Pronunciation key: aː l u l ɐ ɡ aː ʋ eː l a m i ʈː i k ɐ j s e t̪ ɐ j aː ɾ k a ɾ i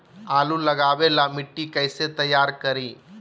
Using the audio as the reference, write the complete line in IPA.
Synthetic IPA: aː l u l ɐ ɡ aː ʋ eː l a m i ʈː i k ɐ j s e t̪ ɐ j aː ɾ k ɐ ɾ i